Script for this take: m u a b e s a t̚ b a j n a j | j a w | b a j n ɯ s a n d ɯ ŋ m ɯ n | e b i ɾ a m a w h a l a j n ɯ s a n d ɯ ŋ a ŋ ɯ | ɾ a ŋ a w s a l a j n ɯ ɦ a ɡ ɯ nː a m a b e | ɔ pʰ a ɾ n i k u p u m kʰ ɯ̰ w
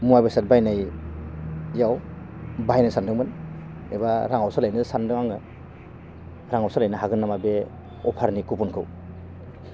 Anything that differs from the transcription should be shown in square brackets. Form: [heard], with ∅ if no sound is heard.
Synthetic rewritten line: m u a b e s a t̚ b a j n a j | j a w | b a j n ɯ s a n d ɯ ŋ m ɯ n | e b [a] ɾ a [ŋ] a w [s] a l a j n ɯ s a n d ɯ ŋ a ŋ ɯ | ɾ a ŋ a w s a l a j n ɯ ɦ a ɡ ɯ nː a m a b e | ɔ pʰ a ɾ n i k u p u [n] kʰ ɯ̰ w